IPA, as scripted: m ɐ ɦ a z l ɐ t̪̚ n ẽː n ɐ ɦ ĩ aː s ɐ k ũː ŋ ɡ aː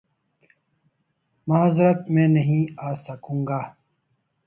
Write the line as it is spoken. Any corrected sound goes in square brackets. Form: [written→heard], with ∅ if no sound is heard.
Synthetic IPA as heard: m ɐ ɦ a z [l→ɾ] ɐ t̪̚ [n→m] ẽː n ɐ ɦ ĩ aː s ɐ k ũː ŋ ɡ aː